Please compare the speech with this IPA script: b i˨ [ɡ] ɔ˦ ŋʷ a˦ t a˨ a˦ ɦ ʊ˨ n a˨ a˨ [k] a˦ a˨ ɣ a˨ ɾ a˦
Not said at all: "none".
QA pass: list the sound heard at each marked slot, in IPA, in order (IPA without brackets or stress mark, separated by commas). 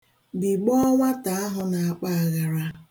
ɡ͡b, k͡p